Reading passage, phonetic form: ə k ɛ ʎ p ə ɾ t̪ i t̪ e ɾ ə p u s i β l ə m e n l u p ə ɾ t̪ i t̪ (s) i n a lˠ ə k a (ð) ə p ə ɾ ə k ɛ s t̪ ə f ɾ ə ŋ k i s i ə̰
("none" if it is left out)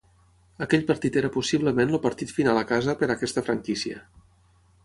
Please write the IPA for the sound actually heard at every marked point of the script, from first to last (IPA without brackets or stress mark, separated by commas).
f, z